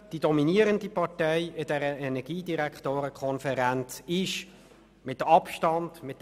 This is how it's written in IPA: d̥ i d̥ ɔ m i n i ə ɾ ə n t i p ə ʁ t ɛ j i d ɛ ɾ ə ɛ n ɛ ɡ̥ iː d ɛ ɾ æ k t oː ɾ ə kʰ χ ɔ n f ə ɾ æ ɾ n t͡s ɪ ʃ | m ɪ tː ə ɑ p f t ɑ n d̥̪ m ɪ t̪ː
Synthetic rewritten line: d̥ i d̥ ɔ m i n i ə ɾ ə n d i p ɑ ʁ t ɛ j ɪ d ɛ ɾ ə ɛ n ɛ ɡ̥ iː d i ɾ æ k t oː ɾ ə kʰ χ ɔ n f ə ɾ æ n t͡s ɪ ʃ | m ɪ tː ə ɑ p ʃ t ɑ n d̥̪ m ɪ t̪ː